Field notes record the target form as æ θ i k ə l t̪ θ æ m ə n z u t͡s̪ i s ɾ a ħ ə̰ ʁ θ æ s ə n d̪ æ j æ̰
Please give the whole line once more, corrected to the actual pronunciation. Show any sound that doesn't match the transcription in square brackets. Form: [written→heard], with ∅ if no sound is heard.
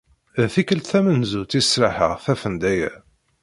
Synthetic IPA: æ θ i k ə l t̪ θ æ m ə n z u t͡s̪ i s ɾ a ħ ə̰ ʁ θ æ [s→f] ə n d̪ æ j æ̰